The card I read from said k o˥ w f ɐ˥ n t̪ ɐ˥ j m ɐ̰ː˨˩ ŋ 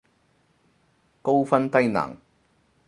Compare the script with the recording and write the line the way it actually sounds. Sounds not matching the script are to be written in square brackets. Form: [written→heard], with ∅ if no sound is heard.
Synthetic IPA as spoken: k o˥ w f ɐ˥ n t̪ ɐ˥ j [m→n] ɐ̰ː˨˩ ŋ